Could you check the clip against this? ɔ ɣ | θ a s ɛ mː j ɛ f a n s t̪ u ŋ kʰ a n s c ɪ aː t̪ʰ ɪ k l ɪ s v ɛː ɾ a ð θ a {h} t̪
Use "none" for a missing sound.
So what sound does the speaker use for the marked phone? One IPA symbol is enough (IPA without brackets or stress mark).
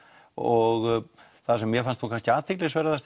s